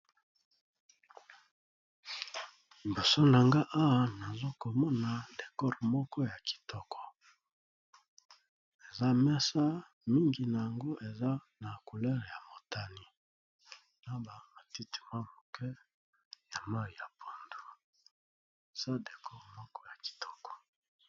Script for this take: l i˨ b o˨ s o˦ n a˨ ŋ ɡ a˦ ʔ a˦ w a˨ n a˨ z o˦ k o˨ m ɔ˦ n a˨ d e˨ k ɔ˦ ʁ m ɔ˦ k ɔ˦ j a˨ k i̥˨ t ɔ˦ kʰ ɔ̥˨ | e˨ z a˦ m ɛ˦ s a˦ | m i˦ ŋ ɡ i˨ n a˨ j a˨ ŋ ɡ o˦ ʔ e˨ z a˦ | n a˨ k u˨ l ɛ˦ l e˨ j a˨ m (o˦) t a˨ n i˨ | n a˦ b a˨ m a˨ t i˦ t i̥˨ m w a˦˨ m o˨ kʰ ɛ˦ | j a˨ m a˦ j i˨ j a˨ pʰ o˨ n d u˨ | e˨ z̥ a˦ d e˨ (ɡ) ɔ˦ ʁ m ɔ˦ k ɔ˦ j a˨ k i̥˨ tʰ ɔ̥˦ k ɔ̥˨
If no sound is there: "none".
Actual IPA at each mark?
o˨, k

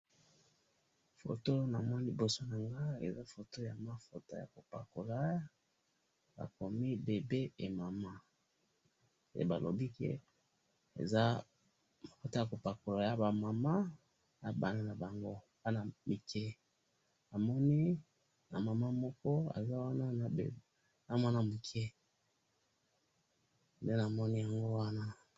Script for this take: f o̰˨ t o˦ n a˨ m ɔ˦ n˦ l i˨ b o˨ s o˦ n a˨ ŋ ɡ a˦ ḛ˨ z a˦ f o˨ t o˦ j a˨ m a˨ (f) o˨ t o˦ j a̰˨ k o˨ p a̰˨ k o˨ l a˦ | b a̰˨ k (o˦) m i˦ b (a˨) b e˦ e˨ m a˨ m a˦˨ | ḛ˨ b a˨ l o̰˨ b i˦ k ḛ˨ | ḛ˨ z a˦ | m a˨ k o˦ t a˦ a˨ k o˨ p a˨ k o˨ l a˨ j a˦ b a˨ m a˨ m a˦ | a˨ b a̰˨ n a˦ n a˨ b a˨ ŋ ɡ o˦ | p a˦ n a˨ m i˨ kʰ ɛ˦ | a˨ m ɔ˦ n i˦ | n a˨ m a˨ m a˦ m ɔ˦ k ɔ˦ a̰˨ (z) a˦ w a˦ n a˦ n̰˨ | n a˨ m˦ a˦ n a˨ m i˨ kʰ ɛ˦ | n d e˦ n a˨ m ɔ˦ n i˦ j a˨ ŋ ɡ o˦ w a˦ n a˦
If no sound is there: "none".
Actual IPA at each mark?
f, o˨, e˨, z

